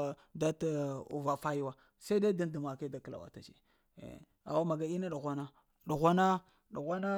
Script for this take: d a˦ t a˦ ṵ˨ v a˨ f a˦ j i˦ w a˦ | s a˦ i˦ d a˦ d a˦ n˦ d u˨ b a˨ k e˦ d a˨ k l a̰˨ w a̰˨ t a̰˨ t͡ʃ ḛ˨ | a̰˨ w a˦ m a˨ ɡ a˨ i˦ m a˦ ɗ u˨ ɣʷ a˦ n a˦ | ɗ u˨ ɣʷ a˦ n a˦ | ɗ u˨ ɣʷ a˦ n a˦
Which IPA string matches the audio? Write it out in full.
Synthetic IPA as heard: d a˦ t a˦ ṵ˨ v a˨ f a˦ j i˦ w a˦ | s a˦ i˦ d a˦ d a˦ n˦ d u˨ m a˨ k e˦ d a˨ k l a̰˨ w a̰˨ t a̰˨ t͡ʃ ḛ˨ | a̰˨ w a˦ m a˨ ɡ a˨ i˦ n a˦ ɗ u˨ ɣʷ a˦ n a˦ | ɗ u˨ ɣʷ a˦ n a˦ | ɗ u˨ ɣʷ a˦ n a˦

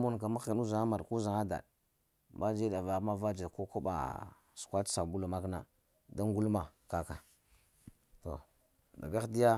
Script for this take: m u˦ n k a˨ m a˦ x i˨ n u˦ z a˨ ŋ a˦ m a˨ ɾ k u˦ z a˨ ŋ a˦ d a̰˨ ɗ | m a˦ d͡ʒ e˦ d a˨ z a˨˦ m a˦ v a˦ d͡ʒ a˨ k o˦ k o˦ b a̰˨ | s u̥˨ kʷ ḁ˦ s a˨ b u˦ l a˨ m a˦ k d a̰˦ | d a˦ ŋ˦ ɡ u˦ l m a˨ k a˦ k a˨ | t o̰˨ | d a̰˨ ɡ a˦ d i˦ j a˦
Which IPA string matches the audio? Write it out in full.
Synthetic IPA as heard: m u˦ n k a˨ m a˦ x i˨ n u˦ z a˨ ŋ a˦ m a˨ ɾ k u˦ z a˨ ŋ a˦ d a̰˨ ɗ | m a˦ d͡ʒ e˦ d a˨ v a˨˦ m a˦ v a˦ d͡ʒ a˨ k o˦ k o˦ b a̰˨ | s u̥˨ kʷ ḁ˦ s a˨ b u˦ l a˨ m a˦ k n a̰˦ | d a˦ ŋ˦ ɡ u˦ l m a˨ k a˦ k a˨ | t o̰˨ | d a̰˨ ɡ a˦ d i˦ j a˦

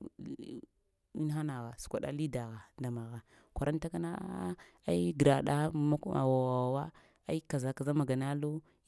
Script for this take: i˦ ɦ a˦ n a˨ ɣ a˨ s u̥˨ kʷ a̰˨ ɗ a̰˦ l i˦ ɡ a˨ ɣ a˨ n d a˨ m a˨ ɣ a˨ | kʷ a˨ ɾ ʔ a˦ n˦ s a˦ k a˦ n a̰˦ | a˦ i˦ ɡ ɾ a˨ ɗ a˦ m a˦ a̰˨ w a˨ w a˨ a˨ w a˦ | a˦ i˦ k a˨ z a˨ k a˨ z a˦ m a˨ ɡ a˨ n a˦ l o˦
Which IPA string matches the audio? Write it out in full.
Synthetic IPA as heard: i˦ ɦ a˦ n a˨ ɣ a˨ s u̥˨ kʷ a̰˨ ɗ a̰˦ l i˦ d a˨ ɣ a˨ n d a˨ m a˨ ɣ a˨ | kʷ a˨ ɾ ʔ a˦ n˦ t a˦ k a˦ n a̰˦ | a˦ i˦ ɡ ɾ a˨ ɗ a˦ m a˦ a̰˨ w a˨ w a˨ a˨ w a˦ | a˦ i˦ k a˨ z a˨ k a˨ z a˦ m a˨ ɡ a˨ n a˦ l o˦

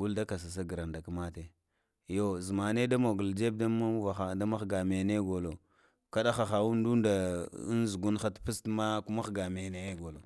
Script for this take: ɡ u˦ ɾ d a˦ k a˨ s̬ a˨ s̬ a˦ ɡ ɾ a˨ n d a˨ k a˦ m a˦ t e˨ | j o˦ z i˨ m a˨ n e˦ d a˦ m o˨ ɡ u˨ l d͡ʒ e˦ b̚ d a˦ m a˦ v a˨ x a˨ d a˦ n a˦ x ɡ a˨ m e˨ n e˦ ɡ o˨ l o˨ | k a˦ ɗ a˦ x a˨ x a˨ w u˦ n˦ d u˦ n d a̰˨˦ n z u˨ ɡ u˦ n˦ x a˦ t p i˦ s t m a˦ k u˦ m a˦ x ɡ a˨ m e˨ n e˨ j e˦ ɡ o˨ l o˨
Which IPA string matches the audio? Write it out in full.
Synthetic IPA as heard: ɡ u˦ l d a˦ k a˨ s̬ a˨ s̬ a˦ ɡ ɾ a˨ n d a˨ k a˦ m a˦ t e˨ | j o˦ z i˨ m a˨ n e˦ d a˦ m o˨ ɡ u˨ l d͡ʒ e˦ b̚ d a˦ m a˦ v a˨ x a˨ d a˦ m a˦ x ɡ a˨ m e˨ n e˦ ɡ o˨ l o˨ | k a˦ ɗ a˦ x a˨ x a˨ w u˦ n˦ d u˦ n d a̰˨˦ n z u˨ ɡ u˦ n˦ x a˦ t p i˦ s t m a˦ k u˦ m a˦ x ɡ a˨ m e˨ n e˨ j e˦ ɡ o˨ l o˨

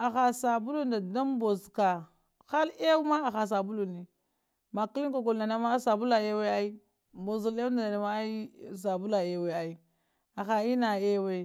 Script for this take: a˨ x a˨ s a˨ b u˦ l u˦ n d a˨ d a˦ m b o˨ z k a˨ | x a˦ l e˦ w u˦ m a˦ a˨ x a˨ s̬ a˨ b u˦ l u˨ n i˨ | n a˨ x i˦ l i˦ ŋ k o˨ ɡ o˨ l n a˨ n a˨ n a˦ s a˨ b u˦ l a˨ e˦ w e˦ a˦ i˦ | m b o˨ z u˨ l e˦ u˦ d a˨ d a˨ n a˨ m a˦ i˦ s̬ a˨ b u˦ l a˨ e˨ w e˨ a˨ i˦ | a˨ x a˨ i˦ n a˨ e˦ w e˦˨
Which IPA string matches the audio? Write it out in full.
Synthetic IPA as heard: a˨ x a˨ s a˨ b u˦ l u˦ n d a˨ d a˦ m b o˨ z k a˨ | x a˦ l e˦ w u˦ m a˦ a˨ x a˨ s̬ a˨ b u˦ l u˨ n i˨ | m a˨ k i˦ l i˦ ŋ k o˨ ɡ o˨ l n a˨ n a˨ m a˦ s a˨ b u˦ l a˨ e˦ w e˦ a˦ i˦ | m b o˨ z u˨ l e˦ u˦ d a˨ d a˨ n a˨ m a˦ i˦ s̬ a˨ b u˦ l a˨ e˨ w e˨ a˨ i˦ | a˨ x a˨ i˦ n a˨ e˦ w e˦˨

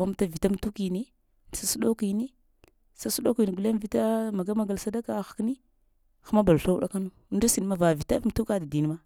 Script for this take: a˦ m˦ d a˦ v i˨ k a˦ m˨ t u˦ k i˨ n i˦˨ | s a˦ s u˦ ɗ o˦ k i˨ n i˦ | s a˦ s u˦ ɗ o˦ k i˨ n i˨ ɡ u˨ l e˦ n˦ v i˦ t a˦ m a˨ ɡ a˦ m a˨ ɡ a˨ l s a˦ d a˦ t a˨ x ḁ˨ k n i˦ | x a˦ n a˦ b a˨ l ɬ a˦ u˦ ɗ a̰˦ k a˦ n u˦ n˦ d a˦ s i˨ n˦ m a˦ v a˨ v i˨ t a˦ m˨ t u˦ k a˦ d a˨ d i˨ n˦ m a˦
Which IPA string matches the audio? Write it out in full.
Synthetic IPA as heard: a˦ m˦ t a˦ v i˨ t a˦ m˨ t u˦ k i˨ n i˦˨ | s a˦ s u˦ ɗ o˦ k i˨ n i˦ | s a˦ s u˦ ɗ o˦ k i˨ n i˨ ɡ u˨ l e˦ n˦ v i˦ t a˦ m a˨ ɡ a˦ m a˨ ɡ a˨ l s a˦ d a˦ k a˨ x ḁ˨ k n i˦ | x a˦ m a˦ b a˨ l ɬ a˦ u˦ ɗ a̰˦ k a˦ n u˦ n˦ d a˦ s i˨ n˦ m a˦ v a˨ v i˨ t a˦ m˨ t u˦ k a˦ d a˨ d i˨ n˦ m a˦

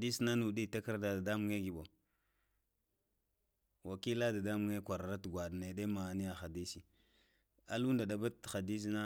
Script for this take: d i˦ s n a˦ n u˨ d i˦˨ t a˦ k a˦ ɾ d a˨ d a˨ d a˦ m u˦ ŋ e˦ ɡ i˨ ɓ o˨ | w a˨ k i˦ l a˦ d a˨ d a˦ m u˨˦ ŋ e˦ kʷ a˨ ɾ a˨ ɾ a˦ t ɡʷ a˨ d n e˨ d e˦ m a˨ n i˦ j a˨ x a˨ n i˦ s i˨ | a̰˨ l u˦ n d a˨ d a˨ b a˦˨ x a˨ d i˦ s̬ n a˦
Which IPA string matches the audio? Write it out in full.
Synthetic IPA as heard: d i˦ s n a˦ n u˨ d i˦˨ t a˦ k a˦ ɾ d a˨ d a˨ d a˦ m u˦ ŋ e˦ ɡ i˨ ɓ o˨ | w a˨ k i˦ l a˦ d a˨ d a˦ m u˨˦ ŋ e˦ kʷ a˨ ɾ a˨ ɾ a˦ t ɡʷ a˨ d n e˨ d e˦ m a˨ n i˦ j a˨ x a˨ d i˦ s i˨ | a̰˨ l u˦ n d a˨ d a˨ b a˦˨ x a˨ d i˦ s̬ n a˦

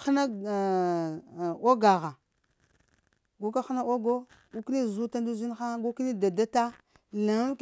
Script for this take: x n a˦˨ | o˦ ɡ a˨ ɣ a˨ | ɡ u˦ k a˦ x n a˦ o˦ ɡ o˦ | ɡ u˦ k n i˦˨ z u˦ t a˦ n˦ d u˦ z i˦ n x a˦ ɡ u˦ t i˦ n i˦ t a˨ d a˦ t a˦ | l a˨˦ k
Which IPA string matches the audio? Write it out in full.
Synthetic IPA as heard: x n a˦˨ | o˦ ɡ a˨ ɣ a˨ | ɡ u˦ k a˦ x n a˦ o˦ ɡ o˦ | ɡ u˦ k n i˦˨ z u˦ t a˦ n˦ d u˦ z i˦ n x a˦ ɡ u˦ k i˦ n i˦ d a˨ d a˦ t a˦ | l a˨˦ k

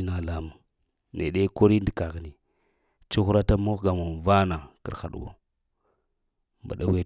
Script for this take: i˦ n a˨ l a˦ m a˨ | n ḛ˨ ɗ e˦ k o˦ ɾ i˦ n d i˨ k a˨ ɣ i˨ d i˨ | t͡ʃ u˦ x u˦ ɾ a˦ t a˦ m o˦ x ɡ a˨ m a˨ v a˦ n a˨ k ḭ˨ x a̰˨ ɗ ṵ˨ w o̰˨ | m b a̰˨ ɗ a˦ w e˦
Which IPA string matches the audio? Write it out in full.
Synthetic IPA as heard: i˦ n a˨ l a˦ m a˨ | n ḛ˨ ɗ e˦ k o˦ ɾ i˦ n d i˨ k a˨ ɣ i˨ n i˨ | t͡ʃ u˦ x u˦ ɾ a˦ t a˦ m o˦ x ɡ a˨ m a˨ v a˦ n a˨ k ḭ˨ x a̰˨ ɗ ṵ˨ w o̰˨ | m b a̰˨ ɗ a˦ w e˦

